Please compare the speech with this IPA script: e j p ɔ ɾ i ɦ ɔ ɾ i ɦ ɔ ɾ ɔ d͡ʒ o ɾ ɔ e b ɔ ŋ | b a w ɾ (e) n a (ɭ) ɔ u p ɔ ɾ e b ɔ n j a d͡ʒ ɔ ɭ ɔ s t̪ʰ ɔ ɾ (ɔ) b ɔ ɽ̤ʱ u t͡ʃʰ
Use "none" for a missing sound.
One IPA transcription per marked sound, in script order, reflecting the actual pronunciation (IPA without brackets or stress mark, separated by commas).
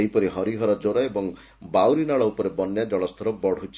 i, ɭ, ɔ